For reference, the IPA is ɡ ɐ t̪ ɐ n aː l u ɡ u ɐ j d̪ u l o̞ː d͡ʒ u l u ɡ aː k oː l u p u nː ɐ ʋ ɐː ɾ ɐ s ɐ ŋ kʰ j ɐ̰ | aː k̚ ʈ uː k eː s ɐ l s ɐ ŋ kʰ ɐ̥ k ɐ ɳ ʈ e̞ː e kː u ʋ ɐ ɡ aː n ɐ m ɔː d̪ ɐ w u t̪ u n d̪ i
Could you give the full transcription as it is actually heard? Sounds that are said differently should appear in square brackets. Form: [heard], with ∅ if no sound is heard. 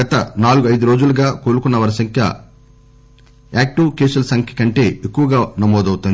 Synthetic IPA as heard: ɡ ɐ t̪ ɐ n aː l u ɡ u ɐ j d̪ u [ɾ] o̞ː d͡ʒ u l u ɡ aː k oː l u [k] u nː ɐ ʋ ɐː ɾ ɐ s ɐ ŋ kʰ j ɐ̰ | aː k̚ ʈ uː k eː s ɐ l s ɐ ŋ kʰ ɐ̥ k ɐ ɳ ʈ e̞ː e kː u ʋ ɐ ɡ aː n ɐ m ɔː d̪ ɐ w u t̪ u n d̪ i